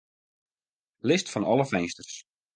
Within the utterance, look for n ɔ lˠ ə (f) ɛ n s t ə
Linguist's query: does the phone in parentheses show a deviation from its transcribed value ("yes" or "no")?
no